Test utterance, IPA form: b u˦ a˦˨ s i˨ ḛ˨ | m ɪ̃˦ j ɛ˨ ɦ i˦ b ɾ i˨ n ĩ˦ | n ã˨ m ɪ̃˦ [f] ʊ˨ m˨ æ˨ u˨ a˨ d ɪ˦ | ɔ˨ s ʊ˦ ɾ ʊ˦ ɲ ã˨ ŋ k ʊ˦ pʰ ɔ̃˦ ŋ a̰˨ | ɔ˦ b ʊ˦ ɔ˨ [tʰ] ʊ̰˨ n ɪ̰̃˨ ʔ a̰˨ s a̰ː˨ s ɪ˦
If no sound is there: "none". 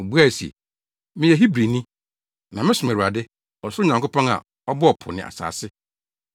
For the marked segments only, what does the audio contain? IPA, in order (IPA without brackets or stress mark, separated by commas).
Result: s, pʰ